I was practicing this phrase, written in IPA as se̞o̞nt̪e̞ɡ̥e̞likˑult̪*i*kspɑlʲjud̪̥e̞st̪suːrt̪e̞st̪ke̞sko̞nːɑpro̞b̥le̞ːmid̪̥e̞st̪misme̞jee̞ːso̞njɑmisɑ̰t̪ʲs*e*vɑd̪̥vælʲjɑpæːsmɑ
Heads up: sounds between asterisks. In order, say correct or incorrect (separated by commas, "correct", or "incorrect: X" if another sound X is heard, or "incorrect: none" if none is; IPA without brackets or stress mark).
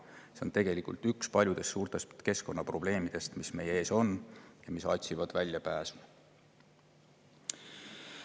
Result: incorrect: y, incorrect: i